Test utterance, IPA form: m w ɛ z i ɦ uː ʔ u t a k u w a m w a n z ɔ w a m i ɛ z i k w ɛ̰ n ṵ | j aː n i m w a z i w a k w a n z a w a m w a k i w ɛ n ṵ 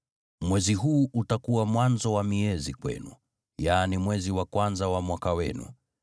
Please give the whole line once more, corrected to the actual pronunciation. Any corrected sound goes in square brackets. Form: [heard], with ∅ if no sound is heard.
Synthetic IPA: m w ɛ z i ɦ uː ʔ u t a k u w a m w a n z ɔ w a m i ɛ z i k w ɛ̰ n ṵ | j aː n i m w [ɛ] z i w a k w a n z a w a m w a k [a] w ɛ n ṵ